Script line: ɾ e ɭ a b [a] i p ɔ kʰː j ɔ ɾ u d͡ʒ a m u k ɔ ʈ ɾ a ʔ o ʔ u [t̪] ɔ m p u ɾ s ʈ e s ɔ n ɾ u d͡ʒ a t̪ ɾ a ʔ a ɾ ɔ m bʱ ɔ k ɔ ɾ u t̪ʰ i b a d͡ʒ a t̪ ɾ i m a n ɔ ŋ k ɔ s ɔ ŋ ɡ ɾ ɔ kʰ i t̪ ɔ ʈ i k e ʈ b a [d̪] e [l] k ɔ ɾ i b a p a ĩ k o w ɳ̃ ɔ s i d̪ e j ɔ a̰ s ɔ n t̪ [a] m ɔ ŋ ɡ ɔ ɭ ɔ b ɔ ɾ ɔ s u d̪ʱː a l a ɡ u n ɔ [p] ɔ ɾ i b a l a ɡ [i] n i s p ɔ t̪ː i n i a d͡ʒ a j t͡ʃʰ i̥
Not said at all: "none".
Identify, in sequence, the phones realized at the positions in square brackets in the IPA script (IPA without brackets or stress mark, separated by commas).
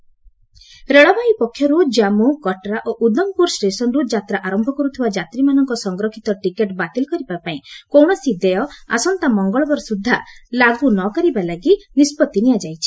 a, d̪, t̪, l, a, k, i